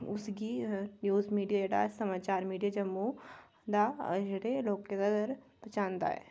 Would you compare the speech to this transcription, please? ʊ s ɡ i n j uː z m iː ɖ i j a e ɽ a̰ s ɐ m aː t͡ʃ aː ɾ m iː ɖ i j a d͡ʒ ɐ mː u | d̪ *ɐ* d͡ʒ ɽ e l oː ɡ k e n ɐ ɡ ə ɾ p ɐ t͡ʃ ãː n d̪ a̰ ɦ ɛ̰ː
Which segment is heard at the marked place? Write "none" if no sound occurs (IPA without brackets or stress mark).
a